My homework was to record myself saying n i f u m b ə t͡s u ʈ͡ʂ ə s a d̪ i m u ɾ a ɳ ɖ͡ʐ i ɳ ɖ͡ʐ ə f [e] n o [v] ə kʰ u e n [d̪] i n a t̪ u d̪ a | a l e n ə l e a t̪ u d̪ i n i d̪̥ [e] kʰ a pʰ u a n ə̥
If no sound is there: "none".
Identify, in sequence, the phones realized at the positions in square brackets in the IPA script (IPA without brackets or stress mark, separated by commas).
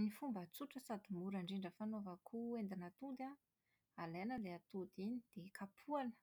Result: a, v, d̪, e